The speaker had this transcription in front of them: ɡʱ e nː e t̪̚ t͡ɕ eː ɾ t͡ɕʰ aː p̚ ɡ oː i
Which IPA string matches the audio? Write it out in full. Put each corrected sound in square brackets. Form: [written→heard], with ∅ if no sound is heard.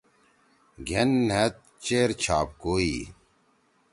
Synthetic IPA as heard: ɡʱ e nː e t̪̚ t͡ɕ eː ɾ t͡ɕʰ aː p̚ [ɡ→k] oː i